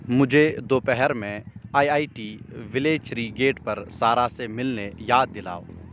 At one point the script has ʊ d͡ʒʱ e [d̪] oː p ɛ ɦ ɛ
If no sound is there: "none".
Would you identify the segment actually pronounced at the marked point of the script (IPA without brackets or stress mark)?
d̪